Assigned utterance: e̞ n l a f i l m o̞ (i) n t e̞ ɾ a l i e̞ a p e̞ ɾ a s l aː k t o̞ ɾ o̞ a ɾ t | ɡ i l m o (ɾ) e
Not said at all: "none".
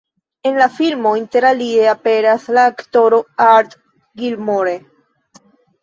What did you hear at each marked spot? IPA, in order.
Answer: i, ɾ

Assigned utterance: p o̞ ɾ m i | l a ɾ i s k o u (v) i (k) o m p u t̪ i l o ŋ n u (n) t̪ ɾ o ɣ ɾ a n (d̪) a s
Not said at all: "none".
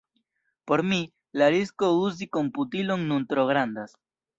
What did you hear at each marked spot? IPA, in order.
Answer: z, k, n, d̪

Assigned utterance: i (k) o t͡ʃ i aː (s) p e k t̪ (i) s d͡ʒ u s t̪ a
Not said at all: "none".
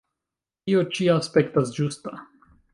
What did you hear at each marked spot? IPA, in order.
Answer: none, s, a

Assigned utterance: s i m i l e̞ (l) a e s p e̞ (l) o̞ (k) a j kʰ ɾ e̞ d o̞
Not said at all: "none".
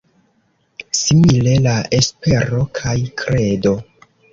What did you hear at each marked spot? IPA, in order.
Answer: l, ɾ, kʰ

